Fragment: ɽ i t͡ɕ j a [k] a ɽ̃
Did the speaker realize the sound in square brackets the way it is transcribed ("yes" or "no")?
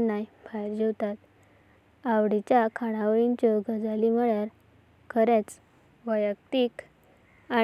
no